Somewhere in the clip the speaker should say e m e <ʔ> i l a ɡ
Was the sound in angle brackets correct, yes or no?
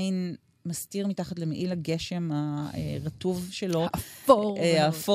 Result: yes